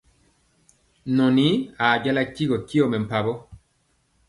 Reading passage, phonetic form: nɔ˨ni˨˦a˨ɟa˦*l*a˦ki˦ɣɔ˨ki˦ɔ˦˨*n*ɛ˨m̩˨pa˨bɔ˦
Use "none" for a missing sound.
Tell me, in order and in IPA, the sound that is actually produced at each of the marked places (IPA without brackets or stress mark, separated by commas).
l, m